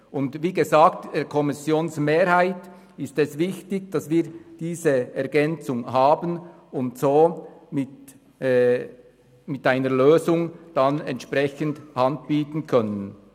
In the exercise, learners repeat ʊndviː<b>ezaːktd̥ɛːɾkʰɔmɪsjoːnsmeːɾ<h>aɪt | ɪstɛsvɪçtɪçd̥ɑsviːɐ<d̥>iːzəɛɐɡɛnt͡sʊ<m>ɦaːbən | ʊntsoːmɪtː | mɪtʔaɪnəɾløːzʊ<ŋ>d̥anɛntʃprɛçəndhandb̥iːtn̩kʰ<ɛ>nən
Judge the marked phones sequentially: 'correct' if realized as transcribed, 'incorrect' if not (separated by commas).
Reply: incorrect, correct, correct, incorrect, correct, incorrect